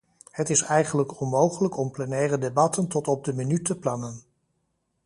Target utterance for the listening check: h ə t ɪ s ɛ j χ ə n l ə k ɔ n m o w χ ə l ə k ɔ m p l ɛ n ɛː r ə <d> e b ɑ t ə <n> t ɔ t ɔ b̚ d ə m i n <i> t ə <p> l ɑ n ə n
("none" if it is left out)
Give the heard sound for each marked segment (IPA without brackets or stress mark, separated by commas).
d, n, y, p